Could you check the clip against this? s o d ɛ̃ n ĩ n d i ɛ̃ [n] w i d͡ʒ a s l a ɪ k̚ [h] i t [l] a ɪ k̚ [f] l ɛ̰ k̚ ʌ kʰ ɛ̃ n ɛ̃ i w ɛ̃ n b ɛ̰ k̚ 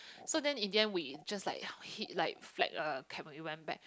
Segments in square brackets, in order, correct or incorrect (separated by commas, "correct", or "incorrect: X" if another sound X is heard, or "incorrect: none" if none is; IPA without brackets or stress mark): correct, correct, correct, correct